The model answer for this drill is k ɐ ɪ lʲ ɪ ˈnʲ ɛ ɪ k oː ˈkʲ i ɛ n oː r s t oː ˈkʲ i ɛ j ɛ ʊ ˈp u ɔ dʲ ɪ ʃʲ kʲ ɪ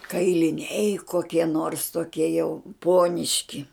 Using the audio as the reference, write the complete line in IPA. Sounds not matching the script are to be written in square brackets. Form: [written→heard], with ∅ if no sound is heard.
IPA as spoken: k ɐ ɪ lʲ ɪ ˈnʲ ɛ ɪ k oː ˈkʲ i ɛ n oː r s t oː ˈkʲ i ɛ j ɛ ʊ ˈp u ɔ [dʲ→nʲ] ɪ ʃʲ kʲ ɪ